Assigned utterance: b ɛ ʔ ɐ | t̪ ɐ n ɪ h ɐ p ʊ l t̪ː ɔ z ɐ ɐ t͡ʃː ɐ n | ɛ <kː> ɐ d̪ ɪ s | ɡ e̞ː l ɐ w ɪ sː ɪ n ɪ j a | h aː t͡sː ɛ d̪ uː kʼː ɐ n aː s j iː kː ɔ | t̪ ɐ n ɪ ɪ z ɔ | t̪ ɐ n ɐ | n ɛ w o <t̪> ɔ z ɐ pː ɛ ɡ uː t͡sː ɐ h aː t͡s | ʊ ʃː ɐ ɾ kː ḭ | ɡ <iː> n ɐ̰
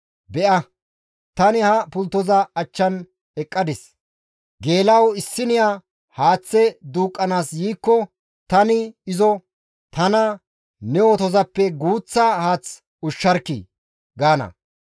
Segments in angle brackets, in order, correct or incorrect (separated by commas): incorrect, correct, incorrect